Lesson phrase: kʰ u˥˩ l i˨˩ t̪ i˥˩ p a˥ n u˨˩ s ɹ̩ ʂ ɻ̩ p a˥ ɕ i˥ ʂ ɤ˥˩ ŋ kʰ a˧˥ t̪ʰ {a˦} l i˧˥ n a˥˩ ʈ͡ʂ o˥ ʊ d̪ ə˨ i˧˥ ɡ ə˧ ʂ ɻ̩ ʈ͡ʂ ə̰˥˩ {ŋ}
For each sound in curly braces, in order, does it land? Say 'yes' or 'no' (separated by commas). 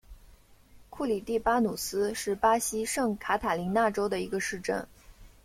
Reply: no, no